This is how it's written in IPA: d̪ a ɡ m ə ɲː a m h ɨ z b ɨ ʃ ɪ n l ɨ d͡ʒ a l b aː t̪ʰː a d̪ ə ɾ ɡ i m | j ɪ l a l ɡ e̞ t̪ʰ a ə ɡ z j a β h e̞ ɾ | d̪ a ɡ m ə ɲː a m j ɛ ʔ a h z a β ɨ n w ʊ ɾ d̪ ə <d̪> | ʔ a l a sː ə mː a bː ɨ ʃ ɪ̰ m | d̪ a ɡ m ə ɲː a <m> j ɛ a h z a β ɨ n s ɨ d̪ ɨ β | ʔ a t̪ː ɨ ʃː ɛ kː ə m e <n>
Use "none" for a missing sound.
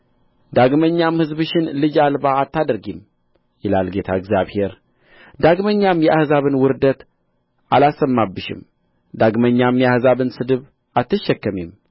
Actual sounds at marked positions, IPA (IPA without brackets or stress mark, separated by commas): t̪, m, m